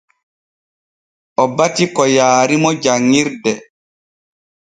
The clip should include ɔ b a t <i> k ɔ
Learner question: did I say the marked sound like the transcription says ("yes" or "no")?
yes